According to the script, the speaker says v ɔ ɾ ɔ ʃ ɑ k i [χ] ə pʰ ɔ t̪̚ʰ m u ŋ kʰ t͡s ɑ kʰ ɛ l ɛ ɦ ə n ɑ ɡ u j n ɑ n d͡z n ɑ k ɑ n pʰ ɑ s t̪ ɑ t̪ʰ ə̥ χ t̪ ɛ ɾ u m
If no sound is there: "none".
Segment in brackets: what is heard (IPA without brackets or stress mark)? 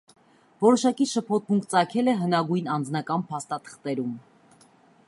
ʃ